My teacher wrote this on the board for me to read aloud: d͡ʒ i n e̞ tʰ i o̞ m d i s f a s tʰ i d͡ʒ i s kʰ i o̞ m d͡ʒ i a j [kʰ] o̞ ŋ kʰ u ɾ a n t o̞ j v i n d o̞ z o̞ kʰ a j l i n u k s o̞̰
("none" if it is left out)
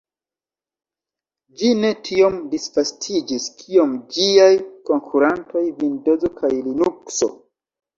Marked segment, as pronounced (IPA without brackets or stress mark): k